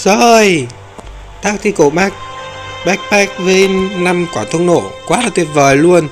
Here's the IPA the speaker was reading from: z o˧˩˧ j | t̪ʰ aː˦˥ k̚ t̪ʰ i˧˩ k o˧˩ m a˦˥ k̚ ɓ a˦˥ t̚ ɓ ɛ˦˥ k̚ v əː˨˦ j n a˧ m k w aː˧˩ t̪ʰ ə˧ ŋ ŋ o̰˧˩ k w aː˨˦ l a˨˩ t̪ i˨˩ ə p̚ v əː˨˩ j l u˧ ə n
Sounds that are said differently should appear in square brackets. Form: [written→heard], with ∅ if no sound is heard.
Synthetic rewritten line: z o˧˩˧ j | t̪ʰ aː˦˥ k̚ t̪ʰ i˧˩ k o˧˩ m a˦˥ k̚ ɓ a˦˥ [t̚→k̚] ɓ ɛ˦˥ k̚ v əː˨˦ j n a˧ m k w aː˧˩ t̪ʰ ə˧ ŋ [ŋ→n] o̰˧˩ k w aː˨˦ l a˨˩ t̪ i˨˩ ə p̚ v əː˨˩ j l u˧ ə n